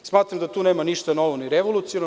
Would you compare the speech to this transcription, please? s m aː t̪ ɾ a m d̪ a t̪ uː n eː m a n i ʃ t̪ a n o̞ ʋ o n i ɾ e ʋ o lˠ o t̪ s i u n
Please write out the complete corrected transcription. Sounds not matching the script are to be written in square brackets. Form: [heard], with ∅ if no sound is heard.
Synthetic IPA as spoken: s m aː t̪ ɾ a m d̪ a t̪ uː n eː m a n i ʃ t̪ a n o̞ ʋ o n i ɾ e ʋ o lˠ [u] t̪ s i [o] n